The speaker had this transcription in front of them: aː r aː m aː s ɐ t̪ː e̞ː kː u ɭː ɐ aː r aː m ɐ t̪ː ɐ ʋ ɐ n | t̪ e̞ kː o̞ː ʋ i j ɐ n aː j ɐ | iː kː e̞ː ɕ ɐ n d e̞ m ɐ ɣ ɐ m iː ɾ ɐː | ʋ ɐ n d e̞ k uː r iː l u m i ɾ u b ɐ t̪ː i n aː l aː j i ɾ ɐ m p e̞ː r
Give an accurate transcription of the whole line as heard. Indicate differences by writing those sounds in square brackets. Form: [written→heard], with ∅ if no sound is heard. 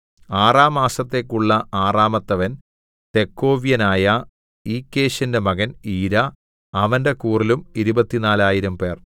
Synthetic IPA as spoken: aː r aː m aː s ɐ t̪ː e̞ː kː u ɭː ɐ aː r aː m ɐ t̪ː ɐ ʋ ɐ n | t̪ e̞ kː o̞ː ʋ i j ɐ n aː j ɐ | iː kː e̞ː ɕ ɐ n d e̞ m ɐ ɣ ɐ [m→n] iː ɾ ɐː | ʋ ɐ n d e̞ k uː r [iː→i] l u m i ɾ u b ɐ t̪ː i n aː l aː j i ɾ ɐ m p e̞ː r